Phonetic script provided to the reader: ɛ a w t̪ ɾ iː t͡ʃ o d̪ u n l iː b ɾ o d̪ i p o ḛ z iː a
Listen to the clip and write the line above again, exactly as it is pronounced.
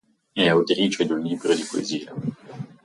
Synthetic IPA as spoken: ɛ a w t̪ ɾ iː t͡ʃ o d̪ u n l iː b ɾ o d̪ i p o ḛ z iː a